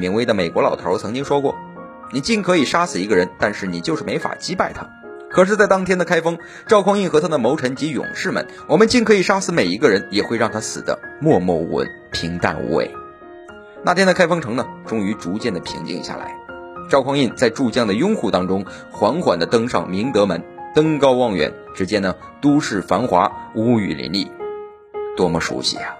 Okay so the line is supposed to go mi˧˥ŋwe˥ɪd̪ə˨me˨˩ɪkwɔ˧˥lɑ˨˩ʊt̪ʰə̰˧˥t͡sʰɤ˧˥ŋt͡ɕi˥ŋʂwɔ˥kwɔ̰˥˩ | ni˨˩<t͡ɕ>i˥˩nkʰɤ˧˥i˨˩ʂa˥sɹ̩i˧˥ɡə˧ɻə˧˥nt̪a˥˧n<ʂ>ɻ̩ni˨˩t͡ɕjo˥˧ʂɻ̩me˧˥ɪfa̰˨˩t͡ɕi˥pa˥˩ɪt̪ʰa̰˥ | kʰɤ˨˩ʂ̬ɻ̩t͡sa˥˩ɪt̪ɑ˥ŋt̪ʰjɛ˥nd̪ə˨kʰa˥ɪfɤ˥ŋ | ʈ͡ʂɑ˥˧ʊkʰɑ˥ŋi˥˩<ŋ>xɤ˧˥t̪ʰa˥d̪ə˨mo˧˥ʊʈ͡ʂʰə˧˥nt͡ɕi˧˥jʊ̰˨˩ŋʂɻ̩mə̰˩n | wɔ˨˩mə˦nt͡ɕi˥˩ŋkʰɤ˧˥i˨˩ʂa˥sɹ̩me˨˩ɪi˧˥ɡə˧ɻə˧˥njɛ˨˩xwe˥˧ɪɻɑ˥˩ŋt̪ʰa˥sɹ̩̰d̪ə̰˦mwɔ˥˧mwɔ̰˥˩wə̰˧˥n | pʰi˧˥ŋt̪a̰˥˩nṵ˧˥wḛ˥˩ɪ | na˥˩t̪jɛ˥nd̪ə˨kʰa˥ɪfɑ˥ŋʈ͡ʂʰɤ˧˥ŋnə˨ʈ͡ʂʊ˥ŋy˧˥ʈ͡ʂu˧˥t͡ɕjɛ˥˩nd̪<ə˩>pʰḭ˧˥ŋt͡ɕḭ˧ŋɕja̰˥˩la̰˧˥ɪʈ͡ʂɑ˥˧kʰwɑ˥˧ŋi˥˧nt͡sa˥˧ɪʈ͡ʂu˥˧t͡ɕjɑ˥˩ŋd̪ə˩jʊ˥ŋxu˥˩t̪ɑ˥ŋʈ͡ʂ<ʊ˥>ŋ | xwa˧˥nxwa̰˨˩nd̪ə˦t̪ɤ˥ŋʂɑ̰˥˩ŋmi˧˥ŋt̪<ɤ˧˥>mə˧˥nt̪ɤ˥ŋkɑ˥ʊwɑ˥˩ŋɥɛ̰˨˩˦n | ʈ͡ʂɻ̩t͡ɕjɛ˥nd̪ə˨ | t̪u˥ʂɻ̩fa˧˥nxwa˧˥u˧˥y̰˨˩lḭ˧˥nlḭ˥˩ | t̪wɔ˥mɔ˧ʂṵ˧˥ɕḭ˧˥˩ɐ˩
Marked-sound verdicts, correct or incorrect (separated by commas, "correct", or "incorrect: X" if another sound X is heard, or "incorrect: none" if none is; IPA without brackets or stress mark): correct, correct, incorrect: n, correct, correct, correct